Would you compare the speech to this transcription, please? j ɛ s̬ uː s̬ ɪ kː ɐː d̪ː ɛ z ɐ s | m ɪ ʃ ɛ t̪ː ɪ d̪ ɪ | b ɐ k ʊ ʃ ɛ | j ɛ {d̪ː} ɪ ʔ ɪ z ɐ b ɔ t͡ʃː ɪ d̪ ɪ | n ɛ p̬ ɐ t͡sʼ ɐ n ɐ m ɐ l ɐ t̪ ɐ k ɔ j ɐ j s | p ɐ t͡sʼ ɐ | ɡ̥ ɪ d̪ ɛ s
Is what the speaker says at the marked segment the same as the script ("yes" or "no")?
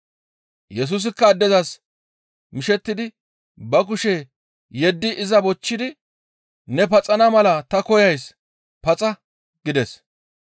yes